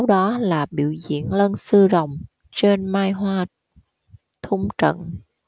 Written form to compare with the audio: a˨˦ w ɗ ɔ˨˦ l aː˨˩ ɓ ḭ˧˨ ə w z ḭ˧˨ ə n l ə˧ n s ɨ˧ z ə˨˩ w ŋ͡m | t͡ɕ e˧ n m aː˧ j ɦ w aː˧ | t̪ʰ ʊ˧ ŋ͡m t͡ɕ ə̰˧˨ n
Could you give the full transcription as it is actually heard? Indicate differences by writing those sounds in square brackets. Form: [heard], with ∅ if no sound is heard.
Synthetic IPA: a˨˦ w ɗ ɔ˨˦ l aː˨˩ ɓ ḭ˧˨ ə w z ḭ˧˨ ə n l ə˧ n s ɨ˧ z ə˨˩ w ŋ͡m | t͡ɕ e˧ n m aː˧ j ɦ w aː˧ | t̪ʰ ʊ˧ ŋ͡m t͡ɕ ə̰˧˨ n